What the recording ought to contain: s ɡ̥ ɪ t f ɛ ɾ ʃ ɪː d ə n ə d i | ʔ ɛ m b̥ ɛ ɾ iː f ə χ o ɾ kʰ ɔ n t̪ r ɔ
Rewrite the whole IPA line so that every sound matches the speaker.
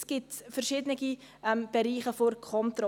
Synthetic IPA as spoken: s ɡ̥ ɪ t f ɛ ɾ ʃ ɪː d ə n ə ɡ i | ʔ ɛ m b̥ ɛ ɾ iː χ ə f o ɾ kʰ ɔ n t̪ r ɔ